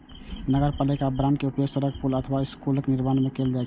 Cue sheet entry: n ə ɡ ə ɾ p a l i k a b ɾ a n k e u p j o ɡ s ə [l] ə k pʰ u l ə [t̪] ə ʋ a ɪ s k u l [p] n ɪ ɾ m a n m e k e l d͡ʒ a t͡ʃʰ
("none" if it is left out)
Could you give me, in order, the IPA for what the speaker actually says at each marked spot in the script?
ɾ, t̪ʰ, k

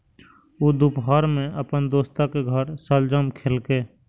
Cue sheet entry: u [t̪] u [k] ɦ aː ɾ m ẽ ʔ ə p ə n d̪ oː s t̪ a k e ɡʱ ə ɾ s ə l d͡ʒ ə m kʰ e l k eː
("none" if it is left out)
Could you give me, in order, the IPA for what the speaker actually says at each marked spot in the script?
d̪, p

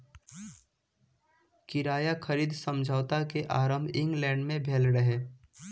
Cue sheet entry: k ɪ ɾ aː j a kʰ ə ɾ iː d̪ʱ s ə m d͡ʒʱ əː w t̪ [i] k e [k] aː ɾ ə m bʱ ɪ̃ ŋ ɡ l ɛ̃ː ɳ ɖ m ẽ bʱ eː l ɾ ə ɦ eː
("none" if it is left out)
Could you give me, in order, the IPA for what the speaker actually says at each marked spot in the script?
a, ʔ

